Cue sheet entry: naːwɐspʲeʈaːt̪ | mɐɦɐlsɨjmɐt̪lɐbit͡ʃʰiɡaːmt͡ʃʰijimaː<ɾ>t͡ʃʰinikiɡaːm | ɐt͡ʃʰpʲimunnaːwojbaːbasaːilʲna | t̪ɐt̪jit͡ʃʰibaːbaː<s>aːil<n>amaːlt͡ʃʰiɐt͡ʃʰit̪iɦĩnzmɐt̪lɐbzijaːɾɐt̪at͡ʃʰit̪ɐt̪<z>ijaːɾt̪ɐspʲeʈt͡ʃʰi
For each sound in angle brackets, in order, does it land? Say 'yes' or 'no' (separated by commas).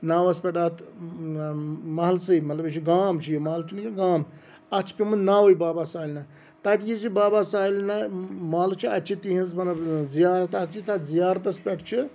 no, yes, yes, yes